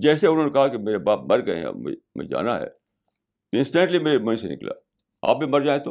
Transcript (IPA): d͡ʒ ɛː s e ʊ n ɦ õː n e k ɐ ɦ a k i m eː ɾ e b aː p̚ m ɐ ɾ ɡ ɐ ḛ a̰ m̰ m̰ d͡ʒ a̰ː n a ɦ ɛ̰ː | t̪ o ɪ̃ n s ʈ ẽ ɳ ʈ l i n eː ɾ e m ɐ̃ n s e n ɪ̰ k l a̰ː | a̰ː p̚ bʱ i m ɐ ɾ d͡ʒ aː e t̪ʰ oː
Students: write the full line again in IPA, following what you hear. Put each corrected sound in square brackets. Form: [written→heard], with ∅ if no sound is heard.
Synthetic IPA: d͡ʒ ɛː s e ʊ n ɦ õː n e k ɐ ɦ a k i m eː ɾ e b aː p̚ m ɐ ɾ ɡ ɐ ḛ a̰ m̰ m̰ d͡ʒ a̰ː n a ɦ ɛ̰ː | t̪ o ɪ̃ n s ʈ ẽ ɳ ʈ l i [n→m] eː ɾ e m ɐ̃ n s e n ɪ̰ k l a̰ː | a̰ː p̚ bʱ i m ɐ ɾ d͡ʒ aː e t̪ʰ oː